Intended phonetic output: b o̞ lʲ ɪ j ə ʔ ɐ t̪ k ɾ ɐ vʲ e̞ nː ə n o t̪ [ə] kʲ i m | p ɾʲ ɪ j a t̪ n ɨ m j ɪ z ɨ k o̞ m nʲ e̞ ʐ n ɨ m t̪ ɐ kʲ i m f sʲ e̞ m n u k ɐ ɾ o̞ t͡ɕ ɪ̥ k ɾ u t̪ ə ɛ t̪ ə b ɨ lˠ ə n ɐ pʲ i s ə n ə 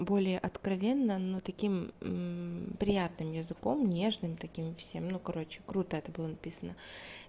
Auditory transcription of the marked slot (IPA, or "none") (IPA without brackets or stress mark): ɐ